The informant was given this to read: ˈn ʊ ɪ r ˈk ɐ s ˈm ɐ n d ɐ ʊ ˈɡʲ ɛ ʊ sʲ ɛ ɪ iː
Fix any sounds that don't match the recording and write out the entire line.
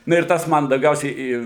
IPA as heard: ˈn ʊ ɪ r ˈt ɐ s ˈm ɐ n d ɐ ʊ ˈɡʲ ɛ ʊ sʲ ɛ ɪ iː